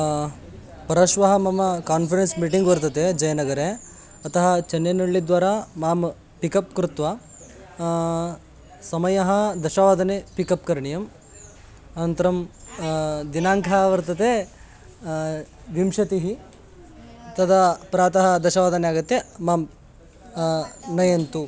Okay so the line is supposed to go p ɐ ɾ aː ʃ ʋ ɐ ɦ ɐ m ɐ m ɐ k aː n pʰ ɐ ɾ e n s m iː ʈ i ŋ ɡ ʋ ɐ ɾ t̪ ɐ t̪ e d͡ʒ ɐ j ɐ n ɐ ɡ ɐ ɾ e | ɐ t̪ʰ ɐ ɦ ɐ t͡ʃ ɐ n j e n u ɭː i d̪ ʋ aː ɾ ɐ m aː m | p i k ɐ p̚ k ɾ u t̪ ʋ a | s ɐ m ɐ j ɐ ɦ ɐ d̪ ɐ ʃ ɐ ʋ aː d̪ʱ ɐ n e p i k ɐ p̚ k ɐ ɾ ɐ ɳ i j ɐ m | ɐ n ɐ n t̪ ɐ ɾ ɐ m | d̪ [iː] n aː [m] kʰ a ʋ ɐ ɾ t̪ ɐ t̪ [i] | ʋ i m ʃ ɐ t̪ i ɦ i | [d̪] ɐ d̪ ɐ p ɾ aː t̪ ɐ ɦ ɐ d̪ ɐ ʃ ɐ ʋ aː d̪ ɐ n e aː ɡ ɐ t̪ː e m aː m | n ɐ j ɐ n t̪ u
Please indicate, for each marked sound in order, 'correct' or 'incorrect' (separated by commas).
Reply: incorrect, incorrect, incorrect, incorrect